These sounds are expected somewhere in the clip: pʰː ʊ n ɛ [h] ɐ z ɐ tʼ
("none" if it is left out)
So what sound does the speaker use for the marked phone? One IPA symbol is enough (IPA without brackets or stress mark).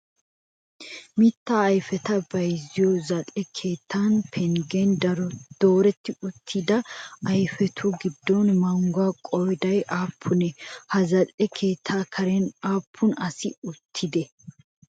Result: h